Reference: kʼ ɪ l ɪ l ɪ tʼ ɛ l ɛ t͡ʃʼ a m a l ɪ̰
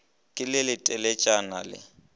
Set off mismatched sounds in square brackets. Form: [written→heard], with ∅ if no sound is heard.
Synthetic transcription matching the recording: kʼ ɪ l ɪ l ɪ tʼ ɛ l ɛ t͡ʃʼ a [m→n] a l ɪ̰